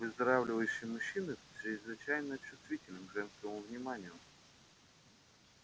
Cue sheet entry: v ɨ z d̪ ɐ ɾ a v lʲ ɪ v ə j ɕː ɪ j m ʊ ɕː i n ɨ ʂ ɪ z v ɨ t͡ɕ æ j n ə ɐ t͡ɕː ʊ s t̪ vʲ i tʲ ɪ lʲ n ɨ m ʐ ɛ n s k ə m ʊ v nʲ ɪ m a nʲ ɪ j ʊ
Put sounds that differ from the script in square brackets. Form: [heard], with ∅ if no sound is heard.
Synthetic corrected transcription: v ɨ z d̪ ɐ ɾ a v lʲ ɪ v ə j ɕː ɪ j m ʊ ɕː i n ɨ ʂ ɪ z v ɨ t͡ɕ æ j n ə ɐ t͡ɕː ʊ s t̪ vʲ i tʲ ɪ lʲ n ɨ m ʐ ɛ n s k ə m ʊ v nʲ ɪ m a nʲ ɪ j ʊ